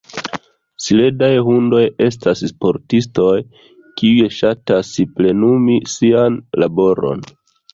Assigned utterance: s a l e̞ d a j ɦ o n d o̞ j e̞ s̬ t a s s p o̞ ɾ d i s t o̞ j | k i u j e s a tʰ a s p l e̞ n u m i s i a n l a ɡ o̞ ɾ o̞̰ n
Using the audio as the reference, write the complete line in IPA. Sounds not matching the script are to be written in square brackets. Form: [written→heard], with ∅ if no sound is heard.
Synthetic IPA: s [a→i] l e̞ d a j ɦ [o→u] n d o̞ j e̞ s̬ t a s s p o̞ ɾ [d→t] i s t o̞ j | k i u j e [s→ʃ] a [tʰ→t] a s p l e̞ n u m i s i a n l a [ɡ→b] o̞ ɾ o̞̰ n